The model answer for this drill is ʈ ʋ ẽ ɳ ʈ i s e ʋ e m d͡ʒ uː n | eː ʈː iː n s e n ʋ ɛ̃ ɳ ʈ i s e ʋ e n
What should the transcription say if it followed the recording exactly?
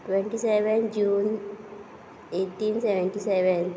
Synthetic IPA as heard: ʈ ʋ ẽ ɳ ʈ i s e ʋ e n d͡ʒ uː n | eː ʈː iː n s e ʋ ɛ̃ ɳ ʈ i s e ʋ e n